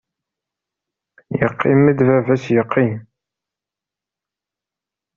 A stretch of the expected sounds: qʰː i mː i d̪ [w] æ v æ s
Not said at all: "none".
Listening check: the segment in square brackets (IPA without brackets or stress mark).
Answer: v